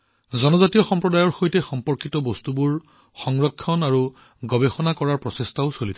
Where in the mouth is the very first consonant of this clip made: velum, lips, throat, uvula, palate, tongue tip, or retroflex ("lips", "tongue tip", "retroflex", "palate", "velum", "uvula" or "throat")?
tongue tip